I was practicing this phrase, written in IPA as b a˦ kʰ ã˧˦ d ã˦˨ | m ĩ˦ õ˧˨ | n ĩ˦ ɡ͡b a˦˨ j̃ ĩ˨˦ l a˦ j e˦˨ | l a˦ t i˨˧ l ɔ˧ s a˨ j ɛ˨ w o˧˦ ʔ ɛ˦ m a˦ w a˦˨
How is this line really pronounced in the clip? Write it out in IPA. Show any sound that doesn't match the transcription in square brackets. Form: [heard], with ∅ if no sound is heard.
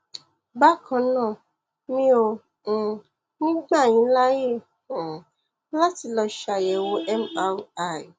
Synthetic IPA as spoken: b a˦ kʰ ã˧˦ [n] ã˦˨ | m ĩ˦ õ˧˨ | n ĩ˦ ɡ͡b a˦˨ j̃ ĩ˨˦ l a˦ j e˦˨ | l a˦ t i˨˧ l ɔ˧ [ʃ] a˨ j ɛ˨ w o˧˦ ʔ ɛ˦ m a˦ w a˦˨

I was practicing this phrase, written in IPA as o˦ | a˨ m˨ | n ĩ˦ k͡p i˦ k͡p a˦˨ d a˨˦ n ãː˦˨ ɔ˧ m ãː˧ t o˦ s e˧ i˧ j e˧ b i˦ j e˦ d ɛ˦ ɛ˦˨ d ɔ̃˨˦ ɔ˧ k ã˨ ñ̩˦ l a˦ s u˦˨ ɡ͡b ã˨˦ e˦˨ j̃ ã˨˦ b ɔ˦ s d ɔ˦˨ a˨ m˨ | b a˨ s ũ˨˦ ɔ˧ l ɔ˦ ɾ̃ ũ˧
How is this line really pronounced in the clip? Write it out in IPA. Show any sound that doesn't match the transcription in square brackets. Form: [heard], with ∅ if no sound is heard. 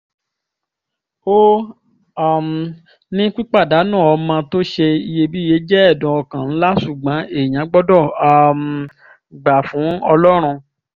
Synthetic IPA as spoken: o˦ | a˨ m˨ | n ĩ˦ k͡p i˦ k͡p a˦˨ d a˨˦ n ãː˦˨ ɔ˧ m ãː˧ t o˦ [ʃ] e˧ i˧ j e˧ b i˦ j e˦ [d͡ʒ] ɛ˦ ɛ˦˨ d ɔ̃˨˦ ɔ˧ k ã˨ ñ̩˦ l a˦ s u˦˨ ɡ͡b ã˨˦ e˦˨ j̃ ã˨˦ [ɡ͡b] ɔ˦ [∅] d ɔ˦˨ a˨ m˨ | [ɡ͡b] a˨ [f] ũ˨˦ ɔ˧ l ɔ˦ ɾ̃ ũ˧

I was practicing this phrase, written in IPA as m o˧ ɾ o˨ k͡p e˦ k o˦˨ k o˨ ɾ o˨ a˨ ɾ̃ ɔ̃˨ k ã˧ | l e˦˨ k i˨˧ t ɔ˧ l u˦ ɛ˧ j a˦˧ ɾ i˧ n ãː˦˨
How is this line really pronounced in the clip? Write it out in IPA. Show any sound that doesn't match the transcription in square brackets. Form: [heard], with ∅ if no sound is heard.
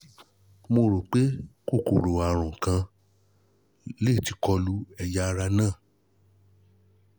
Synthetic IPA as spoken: m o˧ ɾ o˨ k͡p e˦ k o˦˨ k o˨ ɾ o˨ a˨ ɾ̃ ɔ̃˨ k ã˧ | l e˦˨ [t] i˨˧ [k] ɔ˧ l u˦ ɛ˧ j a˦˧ ɾ [a˧] n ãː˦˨

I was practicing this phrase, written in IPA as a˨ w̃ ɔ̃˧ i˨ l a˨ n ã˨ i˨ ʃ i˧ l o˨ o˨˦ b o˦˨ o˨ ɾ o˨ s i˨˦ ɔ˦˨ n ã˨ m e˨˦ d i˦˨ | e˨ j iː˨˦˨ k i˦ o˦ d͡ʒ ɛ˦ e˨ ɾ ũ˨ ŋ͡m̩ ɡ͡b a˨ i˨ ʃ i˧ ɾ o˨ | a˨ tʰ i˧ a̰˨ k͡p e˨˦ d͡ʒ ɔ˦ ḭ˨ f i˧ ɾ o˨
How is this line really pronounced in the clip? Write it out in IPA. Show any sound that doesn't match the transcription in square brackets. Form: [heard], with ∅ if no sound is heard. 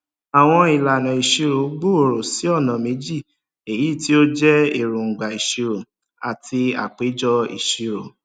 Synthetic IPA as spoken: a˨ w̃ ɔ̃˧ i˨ l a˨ n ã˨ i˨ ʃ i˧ [ɾ] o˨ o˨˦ [ɡ͡b] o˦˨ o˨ ɾ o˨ s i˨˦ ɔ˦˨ n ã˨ m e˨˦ [d͡ʒ] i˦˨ | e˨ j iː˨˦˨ [t] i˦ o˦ d͡ʒ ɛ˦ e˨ ɾ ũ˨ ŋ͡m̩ ɡ͡b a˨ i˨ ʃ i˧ ɾ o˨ | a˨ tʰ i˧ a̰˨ k͡p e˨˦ d͡ʒ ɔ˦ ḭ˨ [ʃ] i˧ ɾ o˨

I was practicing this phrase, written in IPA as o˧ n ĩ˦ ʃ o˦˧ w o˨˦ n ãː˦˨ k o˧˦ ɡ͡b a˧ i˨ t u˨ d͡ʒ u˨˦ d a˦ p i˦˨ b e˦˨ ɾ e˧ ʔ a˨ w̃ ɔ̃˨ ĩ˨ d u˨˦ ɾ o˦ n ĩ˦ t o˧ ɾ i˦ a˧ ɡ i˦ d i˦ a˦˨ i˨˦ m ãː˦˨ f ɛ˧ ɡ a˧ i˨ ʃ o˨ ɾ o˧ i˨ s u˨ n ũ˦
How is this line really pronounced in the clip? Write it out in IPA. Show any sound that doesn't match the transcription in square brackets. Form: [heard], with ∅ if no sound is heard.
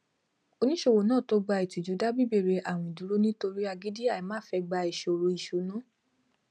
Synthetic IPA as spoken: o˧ n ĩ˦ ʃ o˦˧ w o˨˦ n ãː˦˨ [t] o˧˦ ɡ͡b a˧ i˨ t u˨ d͡ʒ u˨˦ d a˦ [b] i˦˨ b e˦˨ ɾ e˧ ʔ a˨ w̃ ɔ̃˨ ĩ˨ d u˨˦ ɾ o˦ n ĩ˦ t o˧ ɾ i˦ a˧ ɡ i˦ d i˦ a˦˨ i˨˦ m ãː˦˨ f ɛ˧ [ɡ͡b] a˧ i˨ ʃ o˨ ɾ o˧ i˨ [ʃ] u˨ n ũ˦

